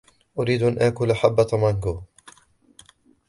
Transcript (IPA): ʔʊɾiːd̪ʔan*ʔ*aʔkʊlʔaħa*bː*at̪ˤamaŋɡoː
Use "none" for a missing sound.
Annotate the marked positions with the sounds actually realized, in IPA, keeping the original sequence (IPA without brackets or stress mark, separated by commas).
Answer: ʔ, bː